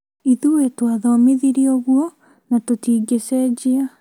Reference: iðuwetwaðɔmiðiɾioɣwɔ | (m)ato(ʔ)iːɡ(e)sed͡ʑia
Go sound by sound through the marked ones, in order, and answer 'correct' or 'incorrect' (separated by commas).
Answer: incorrect, incorrect, correct